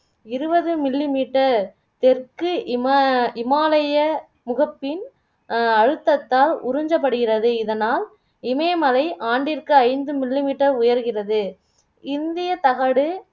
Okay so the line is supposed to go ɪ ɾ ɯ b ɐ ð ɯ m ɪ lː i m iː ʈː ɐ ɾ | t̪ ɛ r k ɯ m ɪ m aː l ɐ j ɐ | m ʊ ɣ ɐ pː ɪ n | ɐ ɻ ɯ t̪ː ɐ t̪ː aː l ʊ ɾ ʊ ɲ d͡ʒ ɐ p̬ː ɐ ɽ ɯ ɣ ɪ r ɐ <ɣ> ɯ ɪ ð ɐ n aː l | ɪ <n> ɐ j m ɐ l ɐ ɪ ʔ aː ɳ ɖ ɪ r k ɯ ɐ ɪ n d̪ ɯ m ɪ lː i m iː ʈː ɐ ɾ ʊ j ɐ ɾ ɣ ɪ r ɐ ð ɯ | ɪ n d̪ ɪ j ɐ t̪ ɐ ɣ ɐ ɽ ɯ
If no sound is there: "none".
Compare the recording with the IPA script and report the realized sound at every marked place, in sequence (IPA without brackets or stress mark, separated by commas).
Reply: ð, m